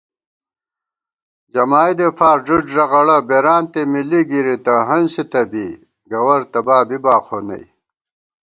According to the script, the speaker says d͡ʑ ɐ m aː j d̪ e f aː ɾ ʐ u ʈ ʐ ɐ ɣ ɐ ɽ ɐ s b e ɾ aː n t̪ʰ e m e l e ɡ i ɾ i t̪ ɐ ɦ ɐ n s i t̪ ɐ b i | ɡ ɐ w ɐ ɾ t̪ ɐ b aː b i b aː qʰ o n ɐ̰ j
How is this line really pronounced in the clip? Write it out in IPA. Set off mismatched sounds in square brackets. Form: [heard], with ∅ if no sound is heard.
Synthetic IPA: d͡ʑ ɐ m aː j d̪ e f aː ɾ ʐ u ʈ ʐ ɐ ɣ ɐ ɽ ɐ [∅] b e ɾ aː n [t̪] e m [i] l [i] ɡ i ɾ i t̪ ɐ ɦ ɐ n s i t̪ ɐ b i | ɡ ɐ w ɐ ɾ t̪ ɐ b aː b i b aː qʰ o n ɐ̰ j